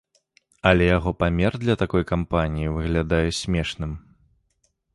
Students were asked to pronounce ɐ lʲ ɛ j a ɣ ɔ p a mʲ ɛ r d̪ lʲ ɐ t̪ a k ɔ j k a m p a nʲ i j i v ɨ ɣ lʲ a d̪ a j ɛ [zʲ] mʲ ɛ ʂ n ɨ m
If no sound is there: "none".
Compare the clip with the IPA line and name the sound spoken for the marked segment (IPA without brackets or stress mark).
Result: sʲ